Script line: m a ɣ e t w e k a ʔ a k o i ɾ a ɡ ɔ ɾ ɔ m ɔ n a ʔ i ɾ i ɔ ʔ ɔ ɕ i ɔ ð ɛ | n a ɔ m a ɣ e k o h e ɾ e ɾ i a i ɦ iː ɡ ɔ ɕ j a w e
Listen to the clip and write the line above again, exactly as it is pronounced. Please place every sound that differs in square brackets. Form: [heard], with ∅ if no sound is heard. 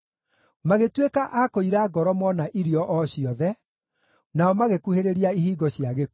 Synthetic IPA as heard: m a ɣ e t w e k a ʔ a k o i ɾ a ɡ ɔ ɾ ɔ m ɔ n a ʔ i ɾ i ɔ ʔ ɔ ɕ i ɔ ð ɛ | n a ɔ m a ɣ e k [u] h e ɾ e ɾ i a i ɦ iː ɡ ɔ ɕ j a [ɣ] e